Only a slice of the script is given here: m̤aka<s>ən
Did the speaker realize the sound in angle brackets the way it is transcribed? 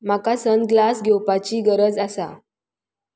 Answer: yes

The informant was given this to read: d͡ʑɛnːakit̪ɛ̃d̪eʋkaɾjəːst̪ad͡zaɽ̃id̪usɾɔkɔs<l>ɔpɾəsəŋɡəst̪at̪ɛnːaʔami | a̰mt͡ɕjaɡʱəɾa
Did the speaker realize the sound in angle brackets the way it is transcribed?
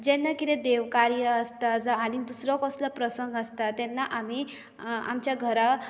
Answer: yes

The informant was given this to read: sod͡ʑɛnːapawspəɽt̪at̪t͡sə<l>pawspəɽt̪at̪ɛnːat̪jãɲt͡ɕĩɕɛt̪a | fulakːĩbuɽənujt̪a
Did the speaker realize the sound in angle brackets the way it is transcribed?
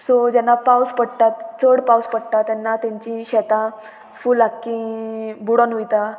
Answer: no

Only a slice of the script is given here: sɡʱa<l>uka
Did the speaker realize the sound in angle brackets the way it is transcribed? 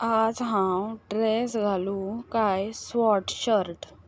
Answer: yes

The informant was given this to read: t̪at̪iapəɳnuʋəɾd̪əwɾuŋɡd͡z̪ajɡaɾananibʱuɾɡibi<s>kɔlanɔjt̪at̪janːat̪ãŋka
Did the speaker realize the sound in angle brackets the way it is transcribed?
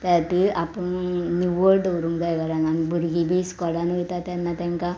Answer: yes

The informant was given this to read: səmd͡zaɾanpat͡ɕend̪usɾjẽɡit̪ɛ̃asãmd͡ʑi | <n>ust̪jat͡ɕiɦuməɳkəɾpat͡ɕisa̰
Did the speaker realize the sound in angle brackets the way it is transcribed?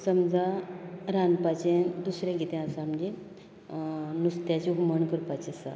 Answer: yes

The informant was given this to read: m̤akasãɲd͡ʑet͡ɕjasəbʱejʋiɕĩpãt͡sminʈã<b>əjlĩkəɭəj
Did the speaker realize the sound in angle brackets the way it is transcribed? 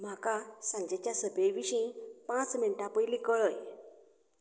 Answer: no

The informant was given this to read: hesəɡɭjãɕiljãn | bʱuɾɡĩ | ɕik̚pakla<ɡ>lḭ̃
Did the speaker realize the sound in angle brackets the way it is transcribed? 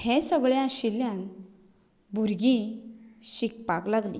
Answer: yes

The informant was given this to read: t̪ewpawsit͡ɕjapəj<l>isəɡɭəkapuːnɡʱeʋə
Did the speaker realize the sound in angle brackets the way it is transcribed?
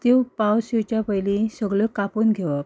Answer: yes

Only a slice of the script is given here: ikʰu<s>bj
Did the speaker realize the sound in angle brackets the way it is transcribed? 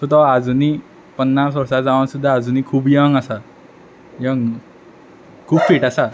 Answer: no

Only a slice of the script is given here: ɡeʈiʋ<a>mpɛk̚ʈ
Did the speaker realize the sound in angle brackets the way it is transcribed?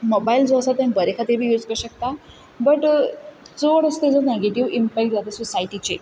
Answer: no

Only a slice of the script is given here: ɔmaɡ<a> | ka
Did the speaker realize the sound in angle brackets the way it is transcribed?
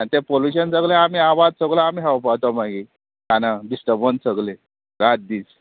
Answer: no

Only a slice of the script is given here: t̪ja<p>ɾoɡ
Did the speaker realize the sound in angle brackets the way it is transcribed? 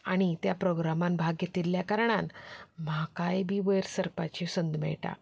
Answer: yes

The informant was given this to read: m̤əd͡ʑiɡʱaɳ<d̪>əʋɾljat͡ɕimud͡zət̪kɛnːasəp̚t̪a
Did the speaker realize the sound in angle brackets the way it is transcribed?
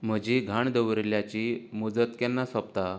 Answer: yes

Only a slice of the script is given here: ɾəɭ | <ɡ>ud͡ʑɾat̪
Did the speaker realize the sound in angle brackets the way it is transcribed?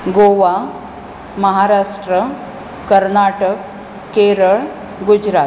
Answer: yes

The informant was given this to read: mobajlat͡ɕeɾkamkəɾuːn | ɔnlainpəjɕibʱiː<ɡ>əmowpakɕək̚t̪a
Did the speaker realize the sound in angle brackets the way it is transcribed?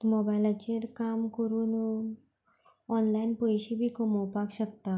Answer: no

